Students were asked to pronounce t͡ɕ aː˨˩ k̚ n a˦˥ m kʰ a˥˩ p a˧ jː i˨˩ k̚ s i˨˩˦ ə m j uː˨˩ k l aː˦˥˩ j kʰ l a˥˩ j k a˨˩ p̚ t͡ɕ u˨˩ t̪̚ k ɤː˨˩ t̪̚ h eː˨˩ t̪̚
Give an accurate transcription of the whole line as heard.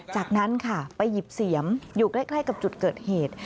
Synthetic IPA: t͡ɕ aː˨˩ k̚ n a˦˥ n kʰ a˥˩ p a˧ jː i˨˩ p̚ s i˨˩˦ ə m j uː˨˩ k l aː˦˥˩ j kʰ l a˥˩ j k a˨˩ p̚ t͡ɕ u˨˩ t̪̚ k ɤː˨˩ t̪̚ h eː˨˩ t̪̚